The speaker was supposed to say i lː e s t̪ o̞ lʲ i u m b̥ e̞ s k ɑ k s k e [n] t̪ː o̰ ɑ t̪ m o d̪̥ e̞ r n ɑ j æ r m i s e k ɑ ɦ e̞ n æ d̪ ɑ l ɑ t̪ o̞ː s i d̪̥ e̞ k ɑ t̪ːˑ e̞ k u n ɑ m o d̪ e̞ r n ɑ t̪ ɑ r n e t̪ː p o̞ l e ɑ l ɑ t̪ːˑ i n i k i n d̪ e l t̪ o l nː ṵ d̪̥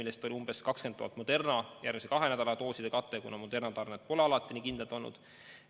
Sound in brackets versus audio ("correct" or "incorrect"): correct